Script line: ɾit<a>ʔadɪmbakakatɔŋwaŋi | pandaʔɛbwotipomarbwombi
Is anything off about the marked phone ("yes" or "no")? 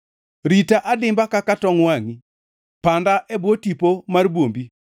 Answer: no